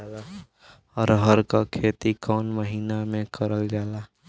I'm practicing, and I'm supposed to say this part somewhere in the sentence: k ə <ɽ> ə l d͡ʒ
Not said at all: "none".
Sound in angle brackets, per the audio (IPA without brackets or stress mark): ɾ